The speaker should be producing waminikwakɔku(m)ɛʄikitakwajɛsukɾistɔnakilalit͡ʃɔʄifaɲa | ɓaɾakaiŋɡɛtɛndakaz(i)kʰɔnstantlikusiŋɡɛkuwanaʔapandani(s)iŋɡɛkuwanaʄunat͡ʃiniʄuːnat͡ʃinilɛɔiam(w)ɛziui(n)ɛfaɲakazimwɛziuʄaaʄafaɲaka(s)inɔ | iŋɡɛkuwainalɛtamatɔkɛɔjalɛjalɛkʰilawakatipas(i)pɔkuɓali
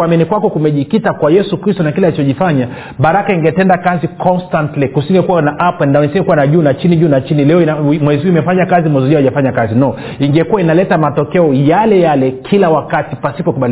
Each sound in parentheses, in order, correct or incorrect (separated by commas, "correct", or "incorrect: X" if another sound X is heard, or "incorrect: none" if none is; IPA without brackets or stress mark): correct, correct, correct, correct, incorrect: m, incorrect: z, correct